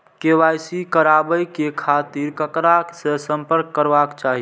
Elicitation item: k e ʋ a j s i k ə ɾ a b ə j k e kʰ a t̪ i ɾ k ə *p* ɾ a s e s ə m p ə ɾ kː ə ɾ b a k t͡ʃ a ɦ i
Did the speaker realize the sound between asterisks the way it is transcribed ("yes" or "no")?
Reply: no